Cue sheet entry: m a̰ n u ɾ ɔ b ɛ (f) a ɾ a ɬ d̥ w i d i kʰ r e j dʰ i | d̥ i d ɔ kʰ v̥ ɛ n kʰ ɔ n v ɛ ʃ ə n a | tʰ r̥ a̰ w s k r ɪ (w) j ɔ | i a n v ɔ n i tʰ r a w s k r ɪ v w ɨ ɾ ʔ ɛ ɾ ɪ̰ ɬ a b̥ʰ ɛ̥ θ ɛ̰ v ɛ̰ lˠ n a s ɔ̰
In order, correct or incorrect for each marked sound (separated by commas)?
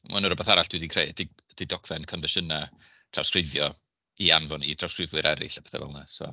incorrect, incorrect